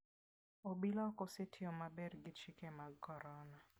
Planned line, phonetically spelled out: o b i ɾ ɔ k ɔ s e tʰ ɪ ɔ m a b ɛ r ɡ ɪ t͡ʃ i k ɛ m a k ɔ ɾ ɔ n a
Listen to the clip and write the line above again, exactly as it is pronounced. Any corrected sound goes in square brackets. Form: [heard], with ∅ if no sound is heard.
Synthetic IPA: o b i [l] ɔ k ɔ s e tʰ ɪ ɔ m a b ɛ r ɡ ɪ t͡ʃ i k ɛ m a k ɔ ɾ ɔ n a